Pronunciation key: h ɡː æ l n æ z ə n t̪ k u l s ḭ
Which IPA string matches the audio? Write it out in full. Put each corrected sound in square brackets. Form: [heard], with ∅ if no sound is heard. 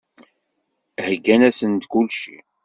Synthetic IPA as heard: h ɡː æ [∅] n æ [s] ə n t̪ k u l [ʃ] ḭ